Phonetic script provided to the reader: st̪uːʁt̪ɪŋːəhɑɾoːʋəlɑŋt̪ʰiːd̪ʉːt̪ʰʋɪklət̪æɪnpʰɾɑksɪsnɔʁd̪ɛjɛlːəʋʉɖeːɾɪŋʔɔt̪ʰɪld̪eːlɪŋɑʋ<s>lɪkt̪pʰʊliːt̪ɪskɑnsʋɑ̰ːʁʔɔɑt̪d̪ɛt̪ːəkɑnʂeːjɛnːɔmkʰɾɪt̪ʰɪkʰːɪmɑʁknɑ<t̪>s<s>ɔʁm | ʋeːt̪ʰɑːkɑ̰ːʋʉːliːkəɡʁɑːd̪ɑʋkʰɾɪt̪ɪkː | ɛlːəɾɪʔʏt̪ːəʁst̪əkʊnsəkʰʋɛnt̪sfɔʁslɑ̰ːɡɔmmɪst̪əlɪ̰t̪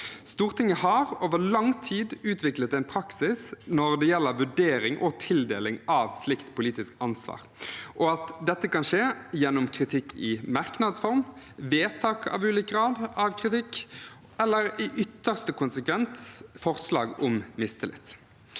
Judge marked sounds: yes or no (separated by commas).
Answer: yes, no, no